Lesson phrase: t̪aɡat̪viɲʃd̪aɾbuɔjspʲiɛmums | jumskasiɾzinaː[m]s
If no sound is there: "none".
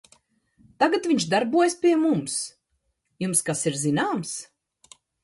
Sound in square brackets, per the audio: m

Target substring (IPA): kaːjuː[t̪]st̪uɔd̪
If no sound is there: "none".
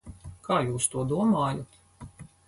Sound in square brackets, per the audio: none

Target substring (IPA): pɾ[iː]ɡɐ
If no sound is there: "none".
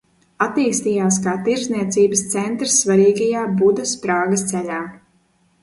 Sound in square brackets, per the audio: aː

